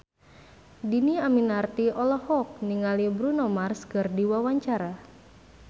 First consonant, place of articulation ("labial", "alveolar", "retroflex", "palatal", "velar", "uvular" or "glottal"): alveolar